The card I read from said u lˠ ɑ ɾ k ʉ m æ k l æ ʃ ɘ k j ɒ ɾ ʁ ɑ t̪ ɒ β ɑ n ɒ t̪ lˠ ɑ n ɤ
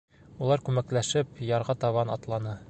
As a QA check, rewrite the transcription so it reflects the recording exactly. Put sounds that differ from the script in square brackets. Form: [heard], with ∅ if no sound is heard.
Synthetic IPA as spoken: u lˠ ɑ ɾ k ʉ m æ k l æ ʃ ɘ [p] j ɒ ɾ ʁ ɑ t̪ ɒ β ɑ n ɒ t̪ lˠ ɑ n ɤ